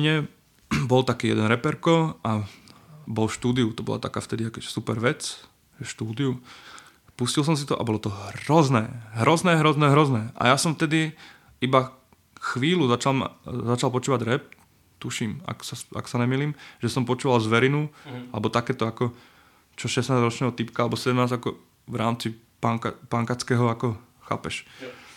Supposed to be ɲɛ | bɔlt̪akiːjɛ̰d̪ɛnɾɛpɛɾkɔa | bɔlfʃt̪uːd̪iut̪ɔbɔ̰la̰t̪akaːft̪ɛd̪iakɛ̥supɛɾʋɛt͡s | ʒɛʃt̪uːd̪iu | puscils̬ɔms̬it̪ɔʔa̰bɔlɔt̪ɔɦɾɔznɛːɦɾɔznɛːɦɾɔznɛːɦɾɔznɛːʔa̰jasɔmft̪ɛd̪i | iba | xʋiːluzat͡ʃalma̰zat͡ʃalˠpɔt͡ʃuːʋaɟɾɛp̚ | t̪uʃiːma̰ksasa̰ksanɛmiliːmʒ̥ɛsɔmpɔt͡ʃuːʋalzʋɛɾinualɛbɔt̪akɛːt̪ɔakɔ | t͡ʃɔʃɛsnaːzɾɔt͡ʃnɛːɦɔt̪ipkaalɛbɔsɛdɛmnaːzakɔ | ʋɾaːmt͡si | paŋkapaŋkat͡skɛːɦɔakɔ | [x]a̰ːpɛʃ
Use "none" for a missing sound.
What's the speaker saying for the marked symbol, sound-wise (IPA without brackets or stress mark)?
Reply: x